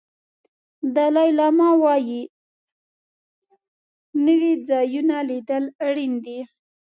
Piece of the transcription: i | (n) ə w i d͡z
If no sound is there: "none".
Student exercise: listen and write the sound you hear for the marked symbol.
n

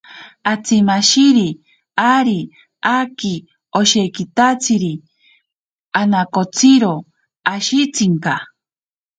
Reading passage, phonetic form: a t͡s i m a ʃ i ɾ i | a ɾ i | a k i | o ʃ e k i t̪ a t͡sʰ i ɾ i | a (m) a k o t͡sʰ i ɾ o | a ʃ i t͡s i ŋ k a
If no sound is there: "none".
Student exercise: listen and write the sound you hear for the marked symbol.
n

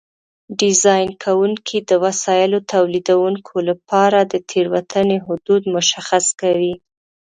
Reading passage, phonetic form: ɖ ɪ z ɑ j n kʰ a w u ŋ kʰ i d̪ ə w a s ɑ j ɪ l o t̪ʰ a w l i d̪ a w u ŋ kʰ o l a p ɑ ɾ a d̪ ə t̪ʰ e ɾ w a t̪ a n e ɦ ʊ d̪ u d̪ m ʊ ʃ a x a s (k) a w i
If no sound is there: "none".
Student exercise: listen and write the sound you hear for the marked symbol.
k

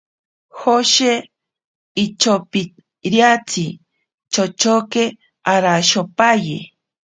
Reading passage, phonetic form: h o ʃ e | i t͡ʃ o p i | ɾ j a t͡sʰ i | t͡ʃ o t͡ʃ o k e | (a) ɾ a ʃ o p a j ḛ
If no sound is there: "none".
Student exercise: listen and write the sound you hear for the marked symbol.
a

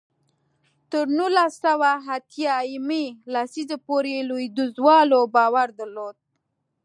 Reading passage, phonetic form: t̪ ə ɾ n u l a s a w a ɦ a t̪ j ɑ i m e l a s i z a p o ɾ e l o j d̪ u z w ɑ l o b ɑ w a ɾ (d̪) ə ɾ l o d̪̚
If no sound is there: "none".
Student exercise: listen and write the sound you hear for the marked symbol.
d̪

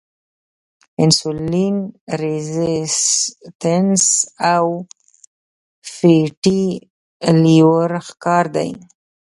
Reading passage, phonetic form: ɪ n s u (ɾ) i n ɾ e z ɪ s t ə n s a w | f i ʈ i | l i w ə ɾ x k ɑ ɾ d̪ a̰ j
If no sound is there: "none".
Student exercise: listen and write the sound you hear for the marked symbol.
l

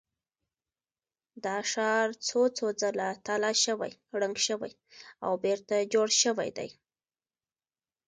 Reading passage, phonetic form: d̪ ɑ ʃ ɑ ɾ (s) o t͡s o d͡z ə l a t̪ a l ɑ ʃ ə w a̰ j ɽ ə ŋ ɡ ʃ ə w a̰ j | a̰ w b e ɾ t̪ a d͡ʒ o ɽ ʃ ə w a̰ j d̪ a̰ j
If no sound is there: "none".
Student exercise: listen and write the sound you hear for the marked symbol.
t͡s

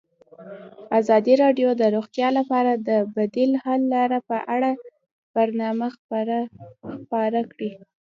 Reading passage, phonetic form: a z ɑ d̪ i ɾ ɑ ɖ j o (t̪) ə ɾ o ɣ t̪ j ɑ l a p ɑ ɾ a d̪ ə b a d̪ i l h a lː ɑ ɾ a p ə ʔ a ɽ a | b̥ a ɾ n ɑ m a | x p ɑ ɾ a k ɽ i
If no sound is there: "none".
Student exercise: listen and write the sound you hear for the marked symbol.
d̪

